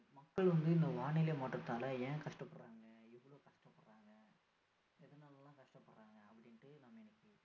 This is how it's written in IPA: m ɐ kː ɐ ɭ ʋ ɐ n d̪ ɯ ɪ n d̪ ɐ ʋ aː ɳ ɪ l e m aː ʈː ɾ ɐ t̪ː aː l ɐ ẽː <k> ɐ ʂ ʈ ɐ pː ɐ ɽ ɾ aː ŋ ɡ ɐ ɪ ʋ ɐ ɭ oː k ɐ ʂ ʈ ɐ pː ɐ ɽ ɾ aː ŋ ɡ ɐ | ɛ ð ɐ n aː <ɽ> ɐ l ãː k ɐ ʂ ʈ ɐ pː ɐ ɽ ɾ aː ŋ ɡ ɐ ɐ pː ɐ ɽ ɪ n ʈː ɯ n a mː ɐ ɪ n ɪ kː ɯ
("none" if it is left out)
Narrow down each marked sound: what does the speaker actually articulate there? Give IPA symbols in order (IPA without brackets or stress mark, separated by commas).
k, l